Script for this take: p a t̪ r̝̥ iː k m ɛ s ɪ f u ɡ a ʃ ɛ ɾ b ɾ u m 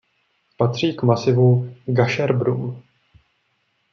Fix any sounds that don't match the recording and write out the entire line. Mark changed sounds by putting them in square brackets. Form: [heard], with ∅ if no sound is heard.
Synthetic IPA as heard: p a t̪ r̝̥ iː k m [a] s ɪ [v] u ɡ a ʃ ɛ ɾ b ɾ u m